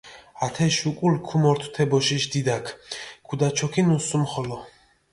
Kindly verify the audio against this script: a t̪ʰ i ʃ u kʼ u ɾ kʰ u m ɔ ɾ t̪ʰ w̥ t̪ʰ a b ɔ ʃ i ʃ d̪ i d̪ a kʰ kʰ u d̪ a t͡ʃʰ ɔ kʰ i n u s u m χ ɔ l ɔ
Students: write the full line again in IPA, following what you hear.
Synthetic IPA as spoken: a t̪ʰ ɛ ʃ u kʼ u l kʰ u m ɔ ɾ t̪ʰ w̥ t̪ʰ ɛ b ɔ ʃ i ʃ d̪ i d̪ a kʰ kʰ u d̪ a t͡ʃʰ ɔ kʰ i n u s u m χ ɔ l ɔ